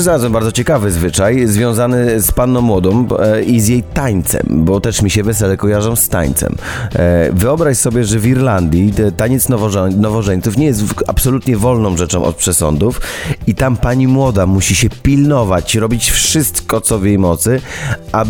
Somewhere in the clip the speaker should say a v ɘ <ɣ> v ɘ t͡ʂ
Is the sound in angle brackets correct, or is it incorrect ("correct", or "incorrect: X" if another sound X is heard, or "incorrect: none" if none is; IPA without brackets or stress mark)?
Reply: incorrect: z